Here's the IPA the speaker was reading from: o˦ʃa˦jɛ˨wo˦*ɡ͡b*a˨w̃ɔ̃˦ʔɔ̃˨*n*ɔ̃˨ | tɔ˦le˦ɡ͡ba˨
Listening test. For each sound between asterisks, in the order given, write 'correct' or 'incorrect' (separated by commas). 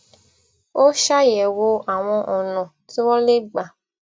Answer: incorrect, correct